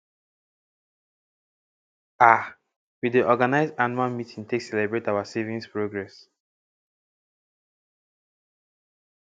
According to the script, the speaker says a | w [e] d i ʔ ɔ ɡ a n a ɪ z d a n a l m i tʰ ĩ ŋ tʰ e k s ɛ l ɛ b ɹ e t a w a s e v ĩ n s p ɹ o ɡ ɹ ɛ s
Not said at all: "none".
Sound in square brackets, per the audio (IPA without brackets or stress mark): i